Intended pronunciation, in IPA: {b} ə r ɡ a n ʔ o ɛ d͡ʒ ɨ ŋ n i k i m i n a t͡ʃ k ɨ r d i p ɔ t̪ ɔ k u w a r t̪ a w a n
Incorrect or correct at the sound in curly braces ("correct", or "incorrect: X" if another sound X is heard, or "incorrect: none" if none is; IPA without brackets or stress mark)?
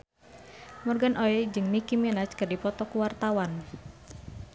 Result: incorrect: m